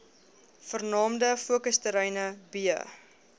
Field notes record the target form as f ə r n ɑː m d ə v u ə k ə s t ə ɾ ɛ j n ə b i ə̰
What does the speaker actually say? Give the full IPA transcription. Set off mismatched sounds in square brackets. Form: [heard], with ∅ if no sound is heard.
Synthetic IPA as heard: f ə r n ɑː m d ə [f] u ə k ə s t ə ɾ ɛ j n ə b i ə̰